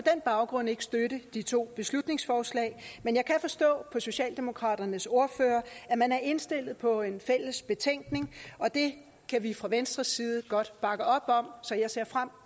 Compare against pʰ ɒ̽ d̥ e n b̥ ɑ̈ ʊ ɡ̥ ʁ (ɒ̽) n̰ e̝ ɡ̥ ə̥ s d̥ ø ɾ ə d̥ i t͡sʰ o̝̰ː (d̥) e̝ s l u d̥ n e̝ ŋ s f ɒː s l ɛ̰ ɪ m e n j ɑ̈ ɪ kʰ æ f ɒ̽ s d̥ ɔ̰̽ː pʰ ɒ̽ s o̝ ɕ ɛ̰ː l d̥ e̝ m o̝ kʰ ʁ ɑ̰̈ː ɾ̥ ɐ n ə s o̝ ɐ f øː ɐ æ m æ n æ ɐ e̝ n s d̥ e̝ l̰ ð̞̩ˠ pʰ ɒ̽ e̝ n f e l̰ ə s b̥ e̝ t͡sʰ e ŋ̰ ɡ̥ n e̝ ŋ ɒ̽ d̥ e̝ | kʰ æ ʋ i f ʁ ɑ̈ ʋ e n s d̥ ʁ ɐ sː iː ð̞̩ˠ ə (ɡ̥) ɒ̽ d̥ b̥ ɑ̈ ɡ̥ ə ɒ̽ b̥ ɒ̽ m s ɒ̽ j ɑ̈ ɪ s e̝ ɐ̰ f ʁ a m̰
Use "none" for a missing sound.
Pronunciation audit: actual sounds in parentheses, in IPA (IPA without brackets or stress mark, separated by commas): ɔ̽, b̥, ɡ̥